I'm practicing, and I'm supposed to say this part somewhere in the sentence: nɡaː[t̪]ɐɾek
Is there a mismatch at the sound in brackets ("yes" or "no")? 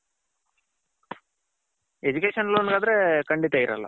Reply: yes